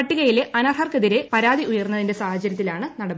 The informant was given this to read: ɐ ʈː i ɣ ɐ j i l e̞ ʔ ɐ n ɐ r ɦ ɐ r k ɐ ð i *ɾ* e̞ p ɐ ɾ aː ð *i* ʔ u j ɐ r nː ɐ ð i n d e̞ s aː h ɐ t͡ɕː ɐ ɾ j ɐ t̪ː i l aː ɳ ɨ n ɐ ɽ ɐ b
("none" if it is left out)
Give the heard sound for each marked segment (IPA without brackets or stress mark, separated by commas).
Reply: ɾ, i